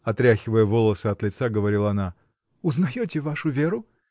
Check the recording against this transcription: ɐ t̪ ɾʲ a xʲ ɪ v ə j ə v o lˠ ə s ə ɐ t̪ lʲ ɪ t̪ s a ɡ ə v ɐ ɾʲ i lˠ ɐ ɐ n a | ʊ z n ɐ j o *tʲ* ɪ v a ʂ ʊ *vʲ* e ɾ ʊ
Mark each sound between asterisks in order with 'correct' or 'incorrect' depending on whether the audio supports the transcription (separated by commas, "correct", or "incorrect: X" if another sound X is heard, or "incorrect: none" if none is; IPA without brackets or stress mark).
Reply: correct, correct